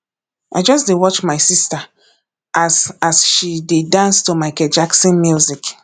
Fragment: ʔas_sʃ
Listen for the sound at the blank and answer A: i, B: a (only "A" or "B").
B